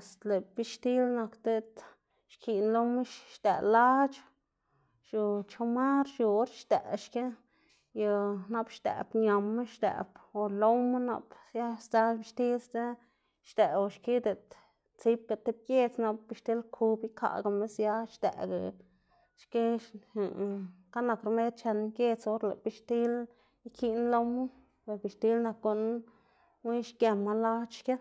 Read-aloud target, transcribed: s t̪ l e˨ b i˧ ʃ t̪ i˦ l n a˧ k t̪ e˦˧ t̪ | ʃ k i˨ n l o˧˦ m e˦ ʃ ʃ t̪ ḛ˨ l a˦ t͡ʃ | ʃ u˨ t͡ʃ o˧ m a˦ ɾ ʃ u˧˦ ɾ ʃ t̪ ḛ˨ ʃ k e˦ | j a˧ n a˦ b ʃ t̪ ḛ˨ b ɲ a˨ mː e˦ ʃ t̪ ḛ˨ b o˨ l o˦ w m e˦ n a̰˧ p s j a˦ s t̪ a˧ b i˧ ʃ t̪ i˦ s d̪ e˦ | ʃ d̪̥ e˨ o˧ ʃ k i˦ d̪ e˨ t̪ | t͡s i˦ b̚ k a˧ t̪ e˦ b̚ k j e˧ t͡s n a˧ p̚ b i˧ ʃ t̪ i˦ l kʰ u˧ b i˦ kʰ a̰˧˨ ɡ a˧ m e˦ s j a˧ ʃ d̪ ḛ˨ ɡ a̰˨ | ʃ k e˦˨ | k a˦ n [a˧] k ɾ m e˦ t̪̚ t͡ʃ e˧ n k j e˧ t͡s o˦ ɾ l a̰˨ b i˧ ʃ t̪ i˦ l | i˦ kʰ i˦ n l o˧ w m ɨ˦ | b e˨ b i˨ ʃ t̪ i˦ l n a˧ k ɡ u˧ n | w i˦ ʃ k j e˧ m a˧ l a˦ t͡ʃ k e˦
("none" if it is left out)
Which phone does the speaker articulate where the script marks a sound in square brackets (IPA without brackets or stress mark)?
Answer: a˧